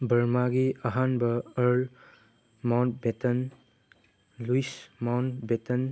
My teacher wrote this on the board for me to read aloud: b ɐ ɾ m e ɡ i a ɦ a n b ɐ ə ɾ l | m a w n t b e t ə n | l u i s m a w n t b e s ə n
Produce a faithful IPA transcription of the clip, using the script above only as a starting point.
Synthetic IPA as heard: b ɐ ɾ m a ɡ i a ɦ a n b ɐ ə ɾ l | m a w n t b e t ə n | l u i s m a w n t b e t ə n